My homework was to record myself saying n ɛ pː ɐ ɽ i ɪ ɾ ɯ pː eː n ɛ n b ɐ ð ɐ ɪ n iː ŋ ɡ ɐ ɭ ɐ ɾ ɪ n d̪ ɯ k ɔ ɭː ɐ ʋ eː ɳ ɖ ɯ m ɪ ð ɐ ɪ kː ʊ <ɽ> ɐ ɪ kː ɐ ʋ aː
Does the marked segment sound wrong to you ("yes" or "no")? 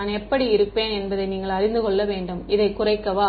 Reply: yes